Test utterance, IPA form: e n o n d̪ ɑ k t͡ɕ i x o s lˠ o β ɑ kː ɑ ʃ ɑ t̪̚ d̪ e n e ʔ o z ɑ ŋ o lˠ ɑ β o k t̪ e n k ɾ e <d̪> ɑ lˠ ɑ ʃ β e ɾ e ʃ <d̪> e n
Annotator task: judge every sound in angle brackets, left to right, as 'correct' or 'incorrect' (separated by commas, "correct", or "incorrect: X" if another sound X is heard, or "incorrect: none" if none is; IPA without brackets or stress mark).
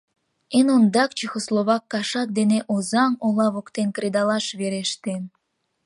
correct, incorrect: t̪